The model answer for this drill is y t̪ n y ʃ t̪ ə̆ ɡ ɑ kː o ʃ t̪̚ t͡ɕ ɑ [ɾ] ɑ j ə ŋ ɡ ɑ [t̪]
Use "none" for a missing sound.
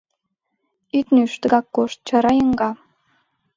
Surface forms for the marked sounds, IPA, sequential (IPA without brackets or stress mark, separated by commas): ɾ, none